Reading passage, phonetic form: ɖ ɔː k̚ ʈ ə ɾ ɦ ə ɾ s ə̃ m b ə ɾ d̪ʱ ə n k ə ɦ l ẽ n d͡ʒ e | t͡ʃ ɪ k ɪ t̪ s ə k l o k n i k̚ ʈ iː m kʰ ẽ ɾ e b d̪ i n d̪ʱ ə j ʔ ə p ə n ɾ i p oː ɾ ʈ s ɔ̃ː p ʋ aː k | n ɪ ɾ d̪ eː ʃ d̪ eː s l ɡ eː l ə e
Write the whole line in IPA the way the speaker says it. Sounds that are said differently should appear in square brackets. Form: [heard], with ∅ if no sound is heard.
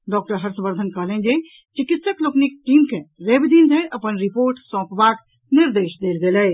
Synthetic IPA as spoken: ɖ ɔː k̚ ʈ ə ɾ ɦ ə ɾ s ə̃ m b ə ɾ d̪ʱ ə n k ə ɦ l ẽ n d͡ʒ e | t͡ʃ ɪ k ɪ t̪ s ə k l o k n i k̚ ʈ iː m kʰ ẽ ɾ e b d̪ i n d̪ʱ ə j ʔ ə p ə n ɾ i p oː ɾ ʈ s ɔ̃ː p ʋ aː k | n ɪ ɾ d̪ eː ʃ d̪ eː [∅] l ɡ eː l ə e

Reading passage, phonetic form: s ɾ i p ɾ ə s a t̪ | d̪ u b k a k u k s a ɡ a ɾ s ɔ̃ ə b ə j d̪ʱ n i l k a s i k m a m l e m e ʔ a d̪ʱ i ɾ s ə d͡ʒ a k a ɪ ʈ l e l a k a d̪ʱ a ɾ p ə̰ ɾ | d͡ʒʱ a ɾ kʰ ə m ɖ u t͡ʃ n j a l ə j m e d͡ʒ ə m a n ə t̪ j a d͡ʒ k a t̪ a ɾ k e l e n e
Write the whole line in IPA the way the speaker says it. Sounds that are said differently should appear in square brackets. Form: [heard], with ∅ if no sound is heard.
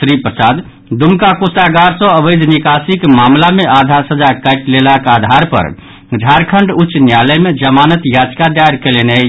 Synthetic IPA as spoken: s ɾ i p ɾ ə s a [d̪] | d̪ u [m] k a k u [∅] s a ɡ a ɾ s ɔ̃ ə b ə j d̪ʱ n i [∅] k a s i k m a m l [a] m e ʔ a d̪ʱ [a] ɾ s ə d͡ʒ a k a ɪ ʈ l e l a k a d̪ʱ a ɾ p ə̰ ɾ | d͡ʒʱ a ɾ kʰ ə [ɳ] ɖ u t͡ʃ n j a l ə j m e d͡ʒ ə m a n ə t̪ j a d͡ʒ k a [d̪] a ɾ k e l e n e

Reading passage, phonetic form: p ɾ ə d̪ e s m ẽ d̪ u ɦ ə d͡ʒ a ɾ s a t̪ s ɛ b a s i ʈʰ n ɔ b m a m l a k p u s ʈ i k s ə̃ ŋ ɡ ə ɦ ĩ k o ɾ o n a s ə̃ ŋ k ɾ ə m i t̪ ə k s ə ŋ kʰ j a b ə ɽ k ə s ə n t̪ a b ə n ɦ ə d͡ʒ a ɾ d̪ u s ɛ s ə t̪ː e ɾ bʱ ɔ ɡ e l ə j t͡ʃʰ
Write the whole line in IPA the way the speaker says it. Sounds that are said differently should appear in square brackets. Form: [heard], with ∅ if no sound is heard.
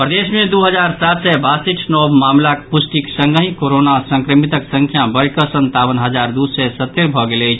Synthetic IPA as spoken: p ɾ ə d̪ e s m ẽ d̪ u ɦ ə d͡ʒ a ɾ s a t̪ s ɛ b a s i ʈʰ n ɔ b m a m l a k p u s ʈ i k s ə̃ ŋ ɡ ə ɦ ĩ k o ɾ o n a s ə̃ ŋ k ɾ ə m i t̪ ə k s ə ŋ kʰ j a b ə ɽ k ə s ə n t̪ a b ə n ɦ ə d͡ʒ a ɾ d̪ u s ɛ s ə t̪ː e ɾ bʱ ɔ ɡ e l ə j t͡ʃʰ

